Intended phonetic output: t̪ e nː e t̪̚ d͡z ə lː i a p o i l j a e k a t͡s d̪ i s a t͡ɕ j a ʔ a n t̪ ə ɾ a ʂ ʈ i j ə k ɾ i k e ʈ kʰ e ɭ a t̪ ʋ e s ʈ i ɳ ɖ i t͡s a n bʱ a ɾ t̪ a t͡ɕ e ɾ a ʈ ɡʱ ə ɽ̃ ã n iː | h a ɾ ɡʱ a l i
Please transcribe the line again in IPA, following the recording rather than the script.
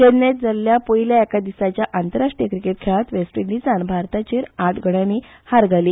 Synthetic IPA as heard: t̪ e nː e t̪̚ d͡z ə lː j a p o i l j a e k a d̪ i s a t͡ɕ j a ʔ a n t̪ ə ɾ a ʂ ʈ i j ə k ɾ i k e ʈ kʰ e ɭ a t̪ ʋ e s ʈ i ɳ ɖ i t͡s a n bʱ a ɾ t̪ a t͡ɕ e ɾ a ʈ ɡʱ ə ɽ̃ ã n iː | h a ɾ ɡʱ a l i